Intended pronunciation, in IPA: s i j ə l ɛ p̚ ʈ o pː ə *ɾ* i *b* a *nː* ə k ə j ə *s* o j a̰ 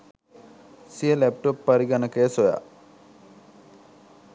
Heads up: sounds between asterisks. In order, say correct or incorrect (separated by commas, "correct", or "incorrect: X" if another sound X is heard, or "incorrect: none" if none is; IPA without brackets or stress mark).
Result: correct, incorrect: ɡ, incorrect: n, correct